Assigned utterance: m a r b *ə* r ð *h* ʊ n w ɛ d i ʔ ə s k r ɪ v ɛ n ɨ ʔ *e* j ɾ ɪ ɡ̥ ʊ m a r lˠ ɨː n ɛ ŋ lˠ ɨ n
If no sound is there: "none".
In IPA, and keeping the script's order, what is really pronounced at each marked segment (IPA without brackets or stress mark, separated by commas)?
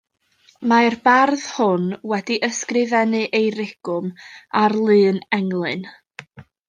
a, h, e